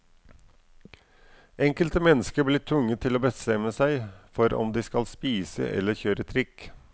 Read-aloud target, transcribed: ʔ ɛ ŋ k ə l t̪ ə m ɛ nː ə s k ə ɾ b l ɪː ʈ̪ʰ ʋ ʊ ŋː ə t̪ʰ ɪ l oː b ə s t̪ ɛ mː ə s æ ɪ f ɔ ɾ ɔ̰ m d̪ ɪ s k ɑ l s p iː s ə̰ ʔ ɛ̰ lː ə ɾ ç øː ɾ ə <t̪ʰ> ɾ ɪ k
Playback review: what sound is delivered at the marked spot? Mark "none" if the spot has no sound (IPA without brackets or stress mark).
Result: t̪ʰ